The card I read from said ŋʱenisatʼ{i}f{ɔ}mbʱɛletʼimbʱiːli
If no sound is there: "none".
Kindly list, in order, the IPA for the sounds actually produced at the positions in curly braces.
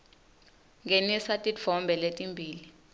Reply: i, ɔ

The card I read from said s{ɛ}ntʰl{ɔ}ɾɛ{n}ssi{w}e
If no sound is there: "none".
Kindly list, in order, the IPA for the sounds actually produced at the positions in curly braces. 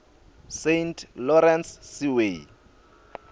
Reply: e, ɔ, n, w

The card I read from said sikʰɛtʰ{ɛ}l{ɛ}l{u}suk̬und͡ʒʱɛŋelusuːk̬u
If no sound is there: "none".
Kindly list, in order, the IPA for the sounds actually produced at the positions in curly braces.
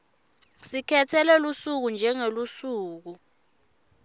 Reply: ɛ, ɛ, u

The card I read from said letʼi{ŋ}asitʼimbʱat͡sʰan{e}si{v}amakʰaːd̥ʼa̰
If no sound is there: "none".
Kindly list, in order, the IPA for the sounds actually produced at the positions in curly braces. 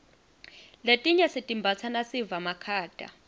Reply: ɲ, a, v

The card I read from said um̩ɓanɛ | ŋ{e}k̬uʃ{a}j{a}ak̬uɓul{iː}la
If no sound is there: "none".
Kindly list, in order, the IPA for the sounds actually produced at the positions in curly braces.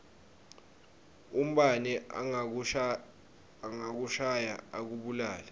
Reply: a, a, a, aː

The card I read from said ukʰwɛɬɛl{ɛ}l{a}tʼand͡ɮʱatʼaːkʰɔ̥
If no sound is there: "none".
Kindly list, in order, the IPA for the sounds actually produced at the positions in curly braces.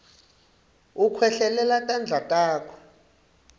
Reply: ɛ, a

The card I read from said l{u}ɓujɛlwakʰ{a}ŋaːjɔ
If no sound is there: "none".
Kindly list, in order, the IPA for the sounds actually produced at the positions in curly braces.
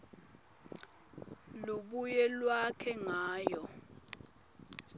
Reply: u, ɛ

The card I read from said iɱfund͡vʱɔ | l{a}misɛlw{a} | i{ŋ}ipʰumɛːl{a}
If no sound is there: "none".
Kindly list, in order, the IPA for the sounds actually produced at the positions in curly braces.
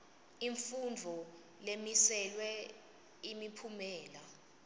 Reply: e, ɛ, m, a

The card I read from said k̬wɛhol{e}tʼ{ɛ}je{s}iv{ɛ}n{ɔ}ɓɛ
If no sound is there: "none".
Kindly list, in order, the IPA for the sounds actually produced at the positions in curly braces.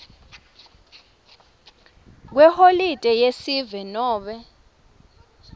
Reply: i, ɛ, s, ɛ, ɔː

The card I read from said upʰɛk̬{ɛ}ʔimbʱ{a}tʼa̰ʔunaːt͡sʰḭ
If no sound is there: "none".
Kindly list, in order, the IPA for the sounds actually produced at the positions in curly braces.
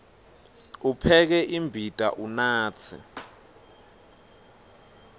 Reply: ɛ, i

